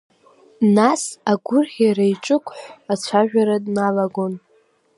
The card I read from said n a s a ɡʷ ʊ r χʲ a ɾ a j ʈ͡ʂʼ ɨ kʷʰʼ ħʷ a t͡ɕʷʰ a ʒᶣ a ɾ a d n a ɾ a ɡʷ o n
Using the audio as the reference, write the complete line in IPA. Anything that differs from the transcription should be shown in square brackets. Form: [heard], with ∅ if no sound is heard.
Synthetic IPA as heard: n a s a ɡʷ ʊ r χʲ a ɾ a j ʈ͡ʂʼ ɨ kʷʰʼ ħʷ a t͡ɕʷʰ a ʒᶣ a ɾ a d n a [l] a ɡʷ o n